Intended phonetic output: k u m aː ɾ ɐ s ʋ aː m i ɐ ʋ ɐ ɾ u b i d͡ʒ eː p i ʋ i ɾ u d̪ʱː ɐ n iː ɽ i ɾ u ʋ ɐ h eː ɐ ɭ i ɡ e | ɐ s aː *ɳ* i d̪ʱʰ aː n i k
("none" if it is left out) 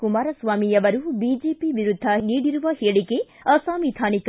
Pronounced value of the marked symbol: m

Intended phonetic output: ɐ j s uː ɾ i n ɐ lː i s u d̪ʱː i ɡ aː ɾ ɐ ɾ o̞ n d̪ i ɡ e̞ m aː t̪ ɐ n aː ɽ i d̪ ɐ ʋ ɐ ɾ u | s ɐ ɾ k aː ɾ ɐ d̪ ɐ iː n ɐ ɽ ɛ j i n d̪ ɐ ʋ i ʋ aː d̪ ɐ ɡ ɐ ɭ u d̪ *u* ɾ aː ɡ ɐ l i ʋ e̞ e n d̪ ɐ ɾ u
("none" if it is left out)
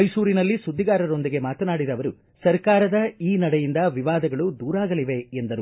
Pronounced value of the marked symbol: uː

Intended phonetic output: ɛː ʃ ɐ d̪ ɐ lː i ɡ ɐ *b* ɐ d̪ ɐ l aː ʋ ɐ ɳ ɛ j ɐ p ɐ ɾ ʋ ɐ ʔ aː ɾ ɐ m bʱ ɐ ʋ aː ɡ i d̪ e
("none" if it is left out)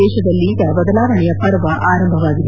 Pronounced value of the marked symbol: b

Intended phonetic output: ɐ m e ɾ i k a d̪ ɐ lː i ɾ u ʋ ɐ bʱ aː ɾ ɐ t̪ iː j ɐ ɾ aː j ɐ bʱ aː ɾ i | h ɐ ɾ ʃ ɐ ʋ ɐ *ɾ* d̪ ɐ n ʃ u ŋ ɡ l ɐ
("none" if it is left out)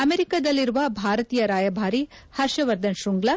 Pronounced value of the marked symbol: ɾ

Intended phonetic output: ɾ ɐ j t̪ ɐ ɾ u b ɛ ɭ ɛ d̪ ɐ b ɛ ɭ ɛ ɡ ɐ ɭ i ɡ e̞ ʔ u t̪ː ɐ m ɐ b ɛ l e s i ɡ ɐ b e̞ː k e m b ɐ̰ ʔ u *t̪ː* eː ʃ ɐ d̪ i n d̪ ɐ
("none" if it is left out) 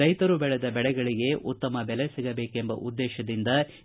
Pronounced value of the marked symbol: d̪ː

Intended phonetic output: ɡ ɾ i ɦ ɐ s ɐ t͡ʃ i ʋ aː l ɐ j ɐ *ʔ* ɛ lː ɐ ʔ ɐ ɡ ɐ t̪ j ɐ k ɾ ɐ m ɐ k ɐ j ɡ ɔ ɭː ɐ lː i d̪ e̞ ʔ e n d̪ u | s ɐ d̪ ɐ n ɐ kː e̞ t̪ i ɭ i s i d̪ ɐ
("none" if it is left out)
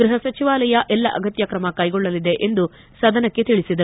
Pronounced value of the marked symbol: ʔ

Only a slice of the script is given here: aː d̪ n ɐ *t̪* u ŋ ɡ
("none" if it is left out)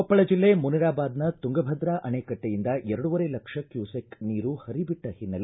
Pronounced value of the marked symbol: t̪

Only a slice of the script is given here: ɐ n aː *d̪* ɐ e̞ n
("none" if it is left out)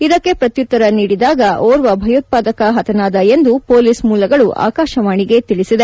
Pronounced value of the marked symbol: d̪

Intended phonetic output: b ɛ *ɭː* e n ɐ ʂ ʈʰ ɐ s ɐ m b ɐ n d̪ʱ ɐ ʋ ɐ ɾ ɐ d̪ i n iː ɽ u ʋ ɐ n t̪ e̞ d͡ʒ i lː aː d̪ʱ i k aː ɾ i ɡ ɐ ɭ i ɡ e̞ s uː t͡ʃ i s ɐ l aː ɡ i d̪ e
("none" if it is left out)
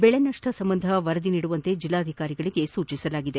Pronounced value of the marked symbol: ɭ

